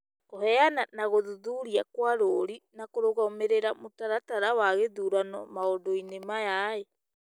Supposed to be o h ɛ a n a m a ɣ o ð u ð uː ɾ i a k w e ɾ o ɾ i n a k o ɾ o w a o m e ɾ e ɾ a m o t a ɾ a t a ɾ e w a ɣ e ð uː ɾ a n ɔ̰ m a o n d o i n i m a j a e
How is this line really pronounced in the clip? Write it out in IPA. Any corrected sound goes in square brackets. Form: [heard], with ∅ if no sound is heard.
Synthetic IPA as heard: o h ɛ a n a [n] a ɣ o ð u ð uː ɾ i a k w [a] ɾ o ɾ i n a k o ɾ o [ɣ] a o m e ɾ e ɾ a m o t a ɾ a t a ɾ [a] w a ɣ e ð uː ɾ a n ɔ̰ m a o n d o i n [e] m a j a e

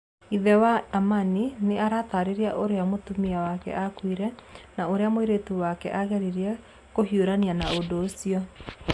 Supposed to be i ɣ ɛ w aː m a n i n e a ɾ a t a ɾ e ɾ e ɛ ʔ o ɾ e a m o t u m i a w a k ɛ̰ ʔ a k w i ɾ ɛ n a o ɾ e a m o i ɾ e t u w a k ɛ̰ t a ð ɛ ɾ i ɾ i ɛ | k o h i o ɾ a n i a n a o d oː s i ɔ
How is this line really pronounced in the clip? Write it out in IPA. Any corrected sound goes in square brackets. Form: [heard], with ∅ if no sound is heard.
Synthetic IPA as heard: i [ð] ɛ w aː m a n i n e a ɾ a t a ɾ e ɾ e [a] ʔ o ɾ e a m o t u m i a w a k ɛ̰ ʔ a k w i ɾ ɛ n a o ɾ e a m o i ɾ e t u w a k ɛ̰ [ʔ] a [ɣ] ɛ ɾ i ɾ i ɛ | k o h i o ɾ a n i a n a o d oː s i ɔ

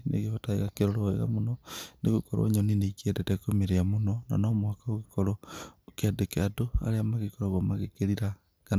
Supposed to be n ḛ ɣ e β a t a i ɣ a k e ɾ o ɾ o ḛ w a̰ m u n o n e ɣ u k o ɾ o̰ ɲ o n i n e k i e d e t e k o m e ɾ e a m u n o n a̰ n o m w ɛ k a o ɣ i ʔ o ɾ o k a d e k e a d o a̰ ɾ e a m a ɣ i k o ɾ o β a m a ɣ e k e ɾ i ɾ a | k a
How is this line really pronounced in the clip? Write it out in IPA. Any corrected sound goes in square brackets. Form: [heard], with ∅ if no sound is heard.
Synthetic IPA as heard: n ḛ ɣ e β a t a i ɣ a k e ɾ o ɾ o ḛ [ɣ] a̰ m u n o n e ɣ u k o ɾ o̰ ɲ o n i n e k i e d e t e k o m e ɾ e a m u n o n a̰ n o m w [a] k a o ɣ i [k] o ɾ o k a d e k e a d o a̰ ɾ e a m a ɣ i k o ɾ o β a m a ɣ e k e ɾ i ɾ a | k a

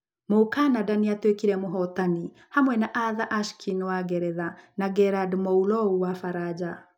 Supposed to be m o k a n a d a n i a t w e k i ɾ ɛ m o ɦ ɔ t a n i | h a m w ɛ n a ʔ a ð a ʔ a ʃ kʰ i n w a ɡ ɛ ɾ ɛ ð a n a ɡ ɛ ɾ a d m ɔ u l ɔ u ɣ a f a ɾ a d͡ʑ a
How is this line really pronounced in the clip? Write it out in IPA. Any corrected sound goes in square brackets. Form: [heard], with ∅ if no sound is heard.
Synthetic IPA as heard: m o k a n a d a n i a t w e k i ɾ ɛ m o ɦ ɔ t a n i | h a m w ɛ n a ʔ a ð a ʔ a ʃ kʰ i n w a ɡ ɛ ɾ ɛ ð a n a ɡ ɛ ɾ a d m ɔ u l ɔ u [w] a f a ɾ a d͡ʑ a

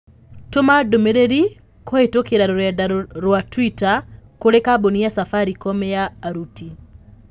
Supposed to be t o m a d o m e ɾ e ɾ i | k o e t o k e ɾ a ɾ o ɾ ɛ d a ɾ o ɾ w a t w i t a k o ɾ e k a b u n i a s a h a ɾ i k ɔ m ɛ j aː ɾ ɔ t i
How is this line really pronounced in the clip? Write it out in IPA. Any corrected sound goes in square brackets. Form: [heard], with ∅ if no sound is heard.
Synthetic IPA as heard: t o m a d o m e ɾ e ɾ i | k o e t o k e ɾ a ɾ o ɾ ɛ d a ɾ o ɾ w a t w i t a k o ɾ e k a b [o] n i a s a [f] a ɾ i k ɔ m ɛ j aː ɾ [u] t i

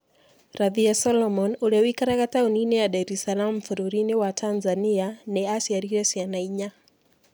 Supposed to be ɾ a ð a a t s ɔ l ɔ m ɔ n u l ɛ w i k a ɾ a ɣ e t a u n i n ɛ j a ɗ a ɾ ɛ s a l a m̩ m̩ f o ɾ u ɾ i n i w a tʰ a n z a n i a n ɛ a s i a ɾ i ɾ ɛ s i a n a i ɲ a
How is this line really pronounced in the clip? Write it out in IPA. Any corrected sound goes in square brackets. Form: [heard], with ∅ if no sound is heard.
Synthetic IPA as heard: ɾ a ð [i] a [∅] s ɔ l ɔ m ɔ n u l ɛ w i k a ɾ a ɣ [a] t a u n i n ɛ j a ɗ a ɾ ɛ s a l a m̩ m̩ f [u] ɾ u ɾ i n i w a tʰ a n z a n i a n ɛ a s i a ɾ i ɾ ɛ s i a n a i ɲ a

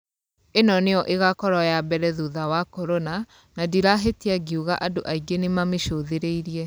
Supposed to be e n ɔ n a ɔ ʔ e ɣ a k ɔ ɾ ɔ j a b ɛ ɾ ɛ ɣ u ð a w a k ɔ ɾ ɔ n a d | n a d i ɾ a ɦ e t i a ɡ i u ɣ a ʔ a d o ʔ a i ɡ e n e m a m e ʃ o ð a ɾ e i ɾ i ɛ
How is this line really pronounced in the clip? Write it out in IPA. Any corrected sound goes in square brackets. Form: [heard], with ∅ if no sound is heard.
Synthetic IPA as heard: e n ɔ n [e] ɔ ʔ e ɣ a k ɔ ɾ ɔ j a b ɛ ɾ ɛ [ð] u ð a w a k ɔ ɾ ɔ n a [∅] | n a d i ɾ a ɦ e t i a ɡ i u ɣ a ʔ a d o ʔ a i ɡ e n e m a m e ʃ o ð [e] ɾ e i ɾ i ɛ

